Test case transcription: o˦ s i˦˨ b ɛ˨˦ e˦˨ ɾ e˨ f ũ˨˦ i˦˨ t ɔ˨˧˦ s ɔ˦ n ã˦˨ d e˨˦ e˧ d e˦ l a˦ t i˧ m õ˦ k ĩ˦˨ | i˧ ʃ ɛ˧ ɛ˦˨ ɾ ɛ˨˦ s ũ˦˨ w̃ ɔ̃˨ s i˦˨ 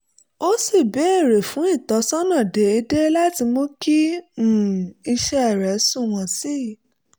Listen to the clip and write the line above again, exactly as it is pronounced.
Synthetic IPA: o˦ s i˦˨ b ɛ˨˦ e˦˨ ɾ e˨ f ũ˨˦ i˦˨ t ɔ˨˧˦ s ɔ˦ n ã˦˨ d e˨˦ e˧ d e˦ l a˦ t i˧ m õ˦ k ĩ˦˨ | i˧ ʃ ɛ˧ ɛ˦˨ ɾ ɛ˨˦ s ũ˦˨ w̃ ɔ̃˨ s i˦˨